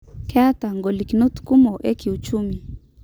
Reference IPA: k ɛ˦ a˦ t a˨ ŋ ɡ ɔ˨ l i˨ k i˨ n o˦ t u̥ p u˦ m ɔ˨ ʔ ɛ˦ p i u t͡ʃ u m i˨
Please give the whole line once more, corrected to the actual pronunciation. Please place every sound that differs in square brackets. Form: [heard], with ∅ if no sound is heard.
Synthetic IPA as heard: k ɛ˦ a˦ t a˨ ŋ ɡ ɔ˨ l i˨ k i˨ n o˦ t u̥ [k] u˦ m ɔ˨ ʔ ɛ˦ [k] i u t͡ʃ u m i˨